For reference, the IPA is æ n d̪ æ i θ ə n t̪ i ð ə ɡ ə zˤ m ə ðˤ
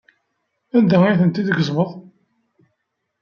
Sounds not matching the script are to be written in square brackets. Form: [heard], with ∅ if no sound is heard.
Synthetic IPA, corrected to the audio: æ n d̪ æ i θ ə n t̪ i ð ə ɡ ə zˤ m ə ðˤ